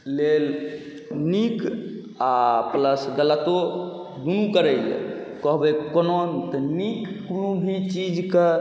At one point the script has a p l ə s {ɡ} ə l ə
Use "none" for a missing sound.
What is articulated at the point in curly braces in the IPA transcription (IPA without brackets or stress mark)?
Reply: ɡ